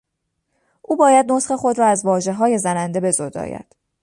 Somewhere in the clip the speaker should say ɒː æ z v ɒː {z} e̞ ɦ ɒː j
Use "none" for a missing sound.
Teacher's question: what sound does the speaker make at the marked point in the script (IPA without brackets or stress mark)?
ʒ